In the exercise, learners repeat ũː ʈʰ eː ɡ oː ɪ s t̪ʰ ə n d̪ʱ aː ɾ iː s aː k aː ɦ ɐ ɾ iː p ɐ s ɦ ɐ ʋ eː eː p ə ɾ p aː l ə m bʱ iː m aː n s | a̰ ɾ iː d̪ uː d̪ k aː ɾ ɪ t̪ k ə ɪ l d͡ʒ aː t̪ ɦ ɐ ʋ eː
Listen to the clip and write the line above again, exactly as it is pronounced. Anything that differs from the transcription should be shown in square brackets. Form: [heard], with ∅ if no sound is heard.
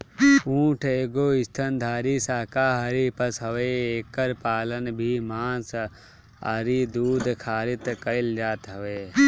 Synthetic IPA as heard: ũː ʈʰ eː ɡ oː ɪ s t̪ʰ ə n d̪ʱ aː ɾ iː s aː k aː ɦ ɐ ɾ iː p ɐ s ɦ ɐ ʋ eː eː [k] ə ɾ p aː l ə [n] bʱ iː m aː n s | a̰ ɾ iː d̪ uː d̪ [kʰ] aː ɾ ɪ t̪ k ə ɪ l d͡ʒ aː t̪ ɦ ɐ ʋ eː

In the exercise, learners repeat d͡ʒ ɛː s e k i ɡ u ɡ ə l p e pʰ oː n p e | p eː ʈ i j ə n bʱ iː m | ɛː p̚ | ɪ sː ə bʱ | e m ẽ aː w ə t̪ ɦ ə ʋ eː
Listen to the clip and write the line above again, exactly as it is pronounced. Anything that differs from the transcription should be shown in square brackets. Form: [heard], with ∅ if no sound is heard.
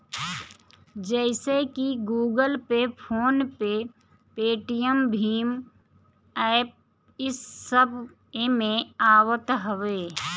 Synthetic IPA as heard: d͡ʒ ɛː s e k i ɡ [uː] ɡ ə l p e pʰ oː n p e | p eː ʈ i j ə [m] bʱ iː m | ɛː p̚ | ɪ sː ə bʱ | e m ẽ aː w ə t̪ ɦ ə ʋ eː

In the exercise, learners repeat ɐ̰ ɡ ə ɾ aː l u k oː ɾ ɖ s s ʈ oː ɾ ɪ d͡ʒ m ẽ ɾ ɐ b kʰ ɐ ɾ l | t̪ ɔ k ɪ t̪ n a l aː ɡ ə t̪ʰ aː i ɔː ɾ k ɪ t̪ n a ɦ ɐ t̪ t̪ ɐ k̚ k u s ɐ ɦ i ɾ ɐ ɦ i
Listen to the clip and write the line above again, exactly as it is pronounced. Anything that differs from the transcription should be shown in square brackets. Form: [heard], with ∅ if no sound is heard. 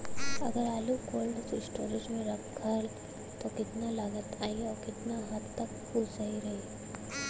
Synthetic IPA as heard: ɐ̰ ɡ ə ɾ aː l u k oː [l] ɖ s s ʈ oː ɾ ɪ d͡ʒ m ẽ ɾ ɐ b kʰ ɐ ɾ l | t̪ [o] k ɪ t̪ n a l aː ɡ ə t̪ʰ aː i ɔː ɾ k ɪ t̪ n a ɦ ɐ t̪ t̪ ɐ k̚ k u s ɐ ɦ i ɾ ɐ ɦ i

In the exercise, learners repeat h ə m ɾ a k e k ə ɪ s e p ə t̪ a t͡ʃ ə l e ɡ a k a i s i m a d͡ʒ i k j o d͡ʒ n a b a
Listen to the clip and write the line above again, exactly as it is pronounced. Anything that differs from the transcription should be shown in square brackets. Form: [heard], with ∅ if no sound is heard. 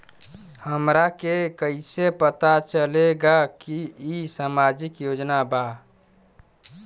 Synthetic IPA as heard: h ə m ɾ a k e k ə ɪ s e p ə t̪ a t͡ʃ ə l e ɡ a k [i] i s [a] m a d͡ʒ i k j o d͡ʒ n a b a

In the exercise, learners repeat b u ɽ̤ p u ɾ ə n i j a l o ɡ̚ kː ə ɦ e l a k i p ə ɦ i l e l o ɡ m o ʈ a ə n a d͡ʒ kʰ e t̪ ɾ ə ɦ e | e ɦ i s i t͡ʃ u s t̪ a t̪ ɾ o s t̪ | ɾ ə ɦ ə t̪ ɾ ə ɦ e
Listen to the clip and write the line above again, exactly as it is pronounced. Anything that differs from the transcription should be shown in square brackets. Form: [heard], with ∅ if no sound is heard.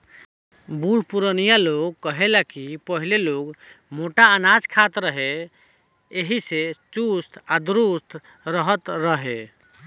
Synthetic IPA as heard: b u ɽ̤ p u ɾ ə n i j a l o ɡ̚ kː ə ɦ e l a k i p ə ɦ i l e l o ɡ m o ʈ a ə n a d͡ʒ kʰ [a] t̪ ɾ ə ɦ e | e ɦ i s [e] t͡ʃ u s t̪ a [d̪] ɾ [u] s t̪ | ɾ ə ɦ ə t̪ ɾ ə ɦ e

